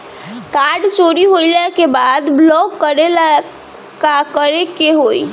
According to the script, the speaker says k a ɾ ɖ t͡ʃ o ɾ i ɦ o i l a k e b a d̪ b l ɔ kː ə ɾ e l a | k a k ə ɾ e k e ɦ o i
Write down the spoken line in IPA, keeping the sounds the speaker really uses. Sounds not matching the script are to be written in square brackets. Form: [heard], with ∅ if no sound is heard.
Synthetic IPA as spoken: k a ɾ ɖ t͡ʃ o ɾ i ɦ o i l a k e b a d̪ b l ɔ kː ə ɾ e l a | k a k ə ɾ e k e ɦ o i